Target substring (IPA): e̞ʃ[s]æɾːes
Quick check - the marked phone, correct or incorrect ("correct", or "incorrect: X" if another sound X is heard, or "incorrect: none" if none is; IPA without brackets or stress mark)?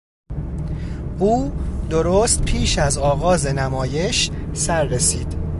correct